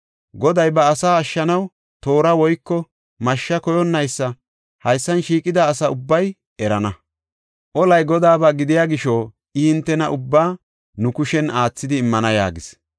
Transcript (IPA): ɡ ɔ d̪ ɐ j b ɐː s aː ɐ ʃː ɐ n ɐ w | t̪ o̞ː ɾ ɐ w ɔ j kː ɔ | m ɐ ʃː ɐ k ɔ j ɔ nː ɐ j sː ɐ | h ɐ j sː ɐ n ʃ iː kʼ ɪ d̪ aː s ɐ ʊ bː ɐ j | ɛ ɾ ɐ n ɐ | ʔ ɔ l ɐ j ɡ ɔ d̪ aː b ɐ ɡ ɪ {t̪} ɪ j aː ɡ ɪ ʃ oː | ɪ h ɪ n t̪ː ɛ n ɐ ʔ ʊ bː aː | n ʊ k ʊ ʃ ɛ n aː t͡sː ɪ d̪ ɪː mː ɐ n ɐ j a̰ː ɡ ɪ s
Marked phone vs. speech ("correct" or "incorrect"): incorrect